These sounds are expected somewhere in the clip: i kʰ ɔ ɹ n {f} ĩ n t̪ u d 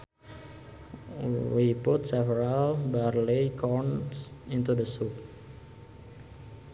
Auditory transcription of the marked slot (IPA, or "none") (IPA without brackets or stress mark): s